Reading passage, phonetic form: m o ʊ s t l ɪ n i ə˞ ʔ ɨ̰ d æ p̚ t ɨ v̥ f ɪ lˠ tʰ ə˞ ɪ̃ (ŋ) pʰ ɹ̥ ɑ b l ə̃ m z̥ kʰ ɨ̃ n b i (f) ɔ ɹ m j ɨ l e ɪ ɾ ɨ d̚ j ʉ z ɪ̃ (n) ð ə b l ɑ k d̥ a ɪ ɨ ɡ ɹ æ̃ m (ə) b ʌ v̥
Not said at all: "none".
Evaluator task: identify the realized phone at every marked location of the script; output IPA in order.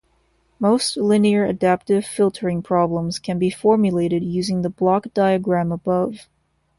ŋ, f, ŋ, ə

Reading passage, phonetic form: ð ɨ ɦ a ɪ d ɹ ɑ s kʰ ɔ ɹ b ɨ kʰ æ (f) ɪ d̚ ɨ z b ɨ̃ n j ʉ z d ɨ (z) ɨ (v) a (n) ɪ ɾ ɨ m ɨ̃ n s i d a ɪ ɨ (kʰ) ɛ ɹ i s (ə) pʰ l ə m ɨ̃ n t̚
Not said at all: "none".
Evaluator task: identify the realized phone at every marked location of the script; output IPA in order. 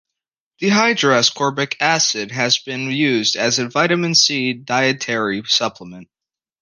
s, z, v, none, tʰ, ʌ

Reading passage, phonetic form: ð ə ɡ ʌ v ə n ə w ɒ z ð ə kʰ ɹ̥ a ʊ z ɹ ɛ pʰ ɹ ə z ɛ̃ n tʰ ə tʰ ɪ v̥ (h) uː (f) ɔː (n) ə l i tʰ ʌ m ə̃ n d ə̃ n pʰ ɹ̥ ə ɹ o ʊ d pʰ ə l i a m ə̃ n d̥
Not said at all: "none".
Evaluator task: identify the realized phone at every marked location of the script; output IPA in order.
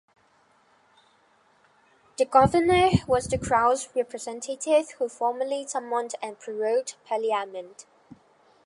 h, f, m

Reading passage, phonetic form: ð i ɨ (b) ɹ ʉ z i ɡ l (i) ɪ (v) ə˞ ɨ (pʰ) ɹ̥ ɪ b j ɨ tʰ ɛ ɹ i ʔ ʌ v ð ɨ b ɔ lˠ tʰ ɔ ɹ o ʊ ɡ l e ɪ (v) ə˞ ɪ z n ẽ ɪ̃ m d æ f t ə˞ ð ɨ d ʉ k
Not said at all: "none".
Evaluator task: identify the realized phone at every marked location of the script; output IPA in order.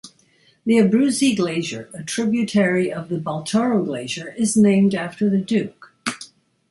b, e, ʒ, tʰ, ʒ

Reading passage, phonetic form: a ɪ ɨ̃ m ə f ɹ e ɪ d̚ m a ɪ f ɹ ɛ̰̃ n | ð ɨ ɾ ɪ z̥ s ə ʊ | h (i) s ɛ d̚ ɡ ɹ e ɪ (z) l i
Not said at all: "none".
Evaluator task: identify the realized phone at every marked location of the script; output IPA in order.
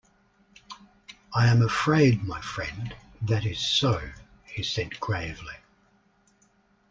i, v

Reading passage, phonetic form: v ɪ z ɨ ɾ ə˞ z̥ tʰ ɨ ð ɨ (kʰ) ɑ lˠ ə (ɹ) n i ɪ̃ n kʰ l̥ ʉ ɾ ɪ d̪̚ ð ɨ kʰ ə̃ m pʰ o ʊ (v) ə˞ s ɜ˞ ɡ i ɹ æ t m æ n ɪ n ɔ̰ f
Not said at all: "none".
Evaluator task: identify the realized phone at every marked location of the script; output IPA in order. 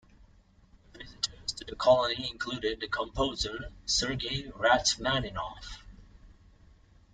kʰ, none, z

